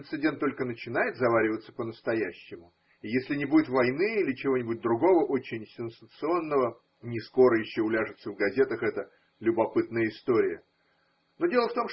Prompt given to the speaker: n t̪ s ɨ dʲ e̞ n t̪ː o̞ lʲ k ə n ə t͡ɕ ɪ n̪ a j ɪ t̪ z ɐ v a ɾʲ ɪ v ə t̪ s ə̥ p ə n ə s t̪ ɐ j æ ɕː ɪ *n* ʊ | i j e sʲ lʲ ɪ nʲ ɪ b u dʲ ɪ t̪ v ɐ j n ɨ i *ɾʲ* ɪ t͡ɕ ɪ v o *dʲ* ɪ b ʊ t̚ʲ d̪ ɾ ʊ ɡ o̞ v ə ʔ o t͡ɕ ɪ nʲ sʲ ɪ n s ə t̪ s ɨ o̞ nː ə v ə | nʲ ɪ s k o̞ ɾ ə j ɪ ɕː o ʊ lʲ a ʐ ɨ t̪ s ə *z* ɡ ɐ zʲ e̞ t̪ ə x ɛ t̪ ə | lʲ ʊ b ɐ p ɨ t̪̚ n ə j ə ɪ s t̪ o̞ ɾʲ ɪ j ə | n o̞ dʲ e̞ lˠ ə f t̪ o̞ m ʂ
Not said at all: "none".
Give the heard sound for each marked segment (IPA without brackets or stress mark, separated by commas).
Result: m, lʲ, nʲ, v